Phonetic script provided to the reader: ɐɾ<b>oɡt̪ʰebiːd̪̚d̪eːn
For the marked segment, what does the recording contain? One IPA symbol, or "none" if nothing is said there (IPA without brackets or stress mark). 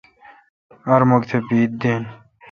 m